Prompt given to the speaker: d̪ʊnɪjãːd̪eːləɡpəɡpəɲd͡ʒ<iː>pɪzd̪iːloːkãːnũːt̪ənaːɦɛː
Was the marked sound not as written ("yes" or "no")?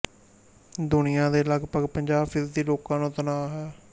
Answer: yes